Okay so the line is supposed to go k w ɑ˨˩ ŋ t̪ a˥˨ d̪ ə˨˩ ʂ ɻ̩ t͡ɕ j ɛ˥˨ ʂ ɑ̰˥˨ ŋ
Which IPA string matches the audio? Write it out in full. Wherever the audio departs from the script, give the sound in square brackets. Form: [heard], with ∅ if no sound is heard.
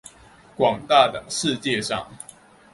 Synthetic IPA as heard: k w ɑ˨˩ ŋ t̪ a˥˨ d̪ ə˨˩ ʂ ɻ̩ t͡ɕ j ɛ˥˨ ʂ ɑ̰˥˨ ŋ